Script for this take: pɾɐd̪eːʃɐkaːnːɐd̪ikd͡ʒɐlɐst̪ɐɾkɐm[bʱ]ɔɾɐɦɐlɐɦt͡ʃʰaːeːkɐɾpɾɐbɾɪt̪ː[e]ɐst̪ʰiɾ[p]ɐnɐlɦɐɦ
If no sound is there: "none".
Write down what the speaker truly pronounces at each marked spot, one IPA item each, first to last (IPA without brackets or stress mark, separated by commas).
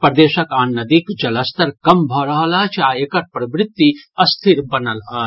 bʱ, i, b